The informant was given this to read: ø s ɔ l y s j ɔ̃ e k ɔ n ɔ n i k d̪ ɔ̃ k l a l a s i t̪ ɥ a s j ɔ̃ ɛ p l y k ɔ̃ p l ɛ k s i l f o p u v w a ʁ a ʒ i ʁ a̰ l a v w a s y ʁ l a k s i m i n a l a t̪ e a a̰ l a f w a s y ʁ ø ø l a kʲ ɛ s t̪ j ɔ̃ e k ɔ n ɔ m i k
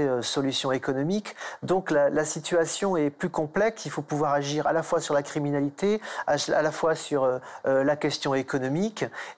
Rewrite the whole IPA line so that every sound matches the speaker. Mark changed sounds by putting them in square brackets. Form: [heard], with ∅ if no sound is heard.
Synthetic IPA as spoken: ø s ɔ l y s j ɔ̃ e k ɔ n ɔ [m] i k d̪ ɔ̃ k l a l a s i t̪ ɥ a s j ɔ̃ ɛ p l y k ɔ̃ p l ɛ k s i l f o p u v w a ʁ a ʒ i ʁ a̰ l a [f] w a s y ʁ l a k [χ] i m i n a l [i] t̪ e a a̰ l a f w a s y ʁ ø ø l a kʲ ɛ s t̪ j ɔ̃ e k ɔ n ɔ m i k